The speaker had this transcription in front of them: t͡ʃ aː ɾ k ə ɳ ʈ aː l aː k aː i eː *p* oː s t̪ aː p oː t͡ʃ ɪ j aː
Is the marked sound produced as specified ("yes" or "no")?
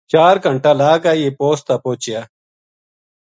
yes